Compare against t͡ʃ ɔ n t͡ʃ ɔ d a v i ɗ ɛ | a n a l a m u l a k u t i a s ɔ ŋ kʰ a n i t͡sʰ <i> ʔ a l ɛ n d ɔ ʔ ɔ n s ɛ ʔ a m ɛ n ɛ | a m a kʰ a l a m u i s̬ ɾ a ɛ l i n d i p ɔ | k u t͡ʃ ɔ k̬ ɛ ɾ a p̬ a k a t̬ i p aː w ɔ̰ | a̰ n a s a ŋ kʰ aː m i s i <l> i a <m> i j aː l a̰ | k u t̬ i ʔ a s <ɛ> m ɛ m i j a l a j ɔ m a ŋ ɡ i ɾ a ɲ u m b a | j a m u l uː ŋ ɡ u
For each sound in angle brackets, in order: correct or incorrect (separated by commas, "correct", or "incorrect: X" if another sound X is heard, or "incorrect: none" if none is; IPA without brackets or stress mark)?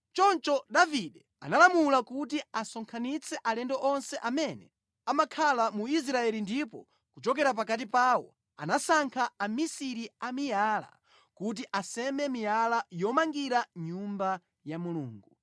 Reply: incorrect: ɛ, incorrect: ɾ, correct, correct